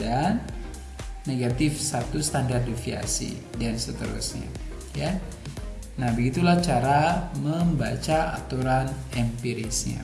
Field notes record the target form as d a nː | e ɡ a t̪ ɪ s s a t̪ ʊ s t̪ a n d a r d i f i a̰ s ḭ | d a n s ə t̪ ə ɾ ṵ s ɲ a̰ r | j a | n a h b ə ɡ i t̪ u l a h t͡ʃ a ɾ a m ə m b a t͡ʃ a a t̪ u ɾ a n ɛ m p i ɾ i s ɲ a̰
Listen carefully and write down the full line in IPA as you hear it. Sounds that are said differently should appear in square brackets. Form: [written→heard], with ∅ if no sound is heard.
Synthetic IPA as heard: d a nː | e ɡ a t̪ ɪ [s→f] s a t̪ [ʊ→u] s t̪ a n d a r d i f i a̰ s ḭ | d a n s ə t̪ ə ɾ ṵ s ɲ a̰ [r→∅] | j a | n a h b ə ɡ i t̪ u l a h t͡ʃ a ɾ a m ə m b a t͡ʃ a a t̪ u ɾ a n ɛ m p i ɾ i s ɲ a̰

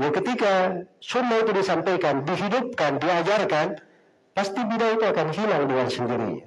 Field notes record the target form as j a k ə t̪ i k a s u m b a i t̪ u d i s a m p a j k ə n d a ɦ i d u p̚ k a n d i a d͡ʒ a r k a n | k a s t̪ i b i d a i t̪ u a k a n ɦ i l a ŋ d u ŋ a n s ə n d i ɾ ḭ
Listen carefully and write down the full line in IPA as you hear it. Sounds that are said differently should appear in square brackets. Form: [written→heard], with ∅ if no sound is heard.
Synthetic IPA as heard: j a k ə t̪ i k a s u m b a i t̪ u d i s a m p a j k [ə→a] n d [a→i] ɦ i d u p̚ k a n d i a d͡ʒ a r k a n | [k→p] a s t̪ i b i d a i t̪ u a k a n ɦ i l a ŋ d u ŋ a n s ə n d i ɾ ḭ

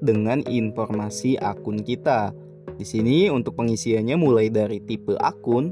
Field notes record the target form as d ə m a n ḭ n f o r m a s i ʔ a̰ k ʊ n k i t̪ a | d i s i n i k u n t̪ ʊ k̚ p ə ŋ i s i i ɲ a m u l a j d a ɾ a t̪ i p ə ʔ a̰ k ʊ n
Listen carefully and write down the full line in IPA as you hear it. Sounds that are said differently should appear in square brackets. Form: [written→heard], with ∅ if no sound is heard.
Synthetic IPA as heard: d ə [m→ŋ] a n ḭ n f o r m a s i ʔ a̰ k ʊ n k i t̪ a | d i s i n i [k→∅] u n t̪ ʊ k̚ p ə ŋ i s i [i→a] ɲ a m u l a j d a ɾ [a→i] t̪ i p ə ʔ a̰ k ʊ n

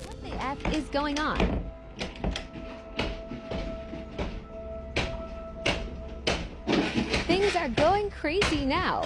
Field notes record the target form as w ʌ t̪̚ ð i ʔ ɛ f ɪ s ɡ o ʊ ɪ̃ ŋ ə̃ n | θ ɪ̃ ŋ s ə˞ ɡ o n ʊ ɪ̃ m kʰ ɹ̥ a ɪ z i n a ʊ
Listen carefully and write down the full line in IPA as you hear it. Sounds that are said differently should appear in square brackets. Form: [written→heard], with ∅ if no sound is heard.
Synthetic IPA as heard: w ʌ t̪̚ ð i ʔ ɛ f ɪ [s→z] ɡ o ʊ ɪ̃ ŋ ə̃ n | θ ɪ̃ ŋ [s→z] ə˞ ɡ o [n→∅] ʊ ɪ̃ [m→ŋ] kʰ ɹ̥ [a→e] ɪ z i n a ʊ

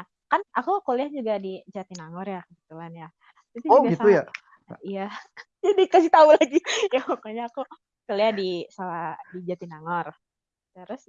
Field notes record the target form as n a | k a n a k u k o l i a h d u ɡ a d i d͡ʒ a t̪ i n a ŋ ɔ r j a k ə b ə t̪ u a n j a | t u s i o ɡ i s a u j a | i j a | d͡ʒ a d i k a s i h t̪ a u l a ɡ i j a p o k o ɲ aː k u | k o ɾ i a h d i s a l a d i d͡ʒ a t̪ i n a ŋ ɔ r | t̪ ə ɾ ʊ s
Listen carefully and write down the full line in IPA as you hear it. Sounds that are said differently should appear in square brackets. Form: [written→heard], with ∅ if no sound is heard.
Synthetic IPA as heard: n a | k a n a k u k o l i a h [d→d͡ʒ] u ɡ a d i d͡ʒ a t̪ i n a ŋ ɔ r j a k ə b ə t̪ u a n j a | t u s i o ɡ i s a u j a | i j a | d͡ʒ a d i k a s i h t̪ a u l a ɡ i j a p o k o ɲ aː k u | k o [ɾ→l] i a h d i s a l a d i d͡ʒ a t̪ i n a ŋ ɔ r | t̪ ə ɾ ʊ s

